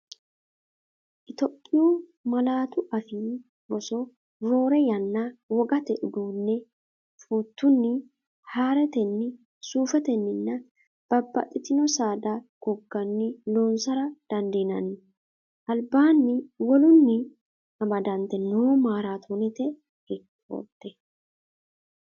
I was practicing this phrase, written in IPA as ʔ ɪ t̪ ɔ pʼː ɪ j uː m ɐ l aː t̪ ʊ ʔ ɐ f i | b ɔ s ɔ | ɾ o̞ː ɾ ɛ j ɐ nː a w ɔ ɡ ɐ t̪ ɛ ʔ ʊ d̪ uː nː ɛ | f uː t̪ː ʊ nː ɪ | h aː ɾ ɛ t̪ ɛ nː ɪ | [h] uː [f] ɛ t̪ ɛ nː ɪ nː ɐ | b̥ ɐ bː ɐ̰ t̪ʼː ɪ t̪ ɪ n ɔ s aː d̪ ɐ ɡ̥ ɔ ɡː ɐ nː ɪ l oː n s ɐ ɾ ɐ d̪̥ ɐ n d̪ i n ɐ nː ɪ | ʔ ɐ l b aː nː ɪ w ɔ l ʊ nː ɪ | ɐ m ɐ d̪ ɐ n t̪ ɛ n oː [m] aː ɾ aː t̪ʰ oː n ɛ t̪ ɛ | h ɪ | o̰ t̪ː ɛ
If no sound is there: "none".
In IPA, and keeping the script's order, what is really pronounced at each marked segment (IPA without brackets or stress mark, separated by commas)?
s, f, m